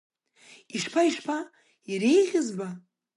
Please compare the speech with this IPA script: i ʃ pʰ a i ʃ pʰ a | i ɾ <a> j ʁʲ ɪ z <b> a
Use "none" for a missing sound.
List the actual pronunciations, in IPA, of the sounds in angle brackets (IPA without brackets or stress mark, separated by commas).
e, b